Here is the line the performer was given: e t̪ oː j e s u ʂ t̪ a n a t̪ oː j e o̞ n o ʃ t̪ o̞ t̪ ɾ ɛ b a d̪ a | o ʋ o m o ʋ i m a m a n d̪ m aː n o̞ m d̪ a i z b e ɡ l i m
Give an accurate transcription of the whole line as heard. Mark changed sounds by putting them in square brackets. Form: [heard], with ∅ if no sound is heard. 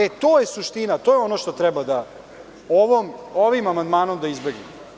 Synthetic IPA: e t̪ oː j e s u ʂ t̪ [i] n a t̪ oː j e o̞ n o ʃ t̪ o̞ t̪ ɾ ɛ b a d̪ a | o ʋ o m o ʋ i m a m a n d̪ m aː n o̞ m d̪ a i z b e ɡ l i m